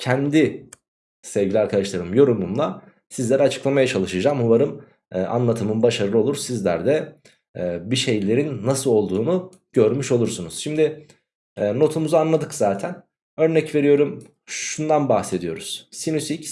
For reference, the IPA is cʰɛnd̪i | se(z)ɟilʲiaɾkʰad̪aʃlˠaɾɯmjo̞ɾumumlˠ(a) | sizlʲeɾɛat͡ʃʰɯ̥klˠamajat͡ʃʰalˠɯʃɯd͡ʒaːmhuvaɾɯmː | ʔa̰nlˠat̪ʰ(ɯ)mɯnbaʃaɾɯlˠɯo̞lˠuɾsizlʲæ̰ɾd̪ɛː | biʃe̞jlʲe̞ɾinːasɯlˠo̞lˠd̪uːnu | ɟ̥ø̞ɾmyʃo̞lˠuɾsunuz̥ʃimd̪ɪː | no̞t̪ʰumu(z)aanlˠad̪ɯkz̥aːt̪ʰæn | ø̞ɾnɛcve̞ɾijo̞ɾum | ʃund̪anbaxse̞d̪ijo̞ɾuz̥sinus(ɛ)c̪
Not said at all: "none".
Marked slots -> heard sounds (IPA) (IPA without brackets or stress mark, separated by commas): v, a, ɯ, z, i